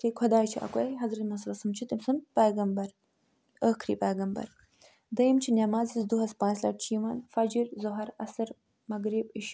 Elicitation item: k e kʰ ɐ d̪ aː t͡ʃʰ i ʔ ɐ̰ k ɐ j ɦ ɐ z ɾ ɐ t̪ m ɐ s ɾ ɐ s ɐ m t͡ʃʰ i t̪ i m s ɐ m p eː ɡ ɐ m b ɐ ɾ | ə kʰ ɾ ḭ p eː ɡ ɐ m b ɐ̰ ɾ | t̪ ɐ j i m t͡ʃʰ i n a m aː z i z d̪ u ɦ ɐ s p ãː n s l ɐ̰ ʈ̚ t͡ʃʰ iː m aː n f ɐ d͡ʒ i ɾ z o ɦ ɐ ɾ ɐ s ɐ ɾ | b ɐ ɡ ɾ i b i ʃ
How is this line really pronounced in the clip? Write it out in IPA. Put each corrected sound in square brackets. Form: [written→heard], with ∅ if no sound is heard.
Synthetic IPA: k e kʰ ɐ d̪ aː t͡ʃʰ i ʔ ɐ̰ k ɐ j ɦ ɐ z ɾ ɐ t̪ m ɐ s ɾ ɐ s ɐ m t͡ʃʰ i t̪ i m s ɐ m p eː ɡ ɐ m b ɐ ɾ | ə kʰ ɾ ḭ p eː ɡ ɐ m b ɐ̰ ɾ | [t̪→d̪] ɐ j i m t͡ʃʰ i n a m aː z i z d̪ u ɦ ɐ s p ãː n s l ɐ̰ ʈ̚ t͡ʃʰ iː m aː n f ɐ d͡ʒ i ɾ z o ɦ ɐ ɾ ɐ s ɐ ɾ | [b→m] ɐ ɡ ɾ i b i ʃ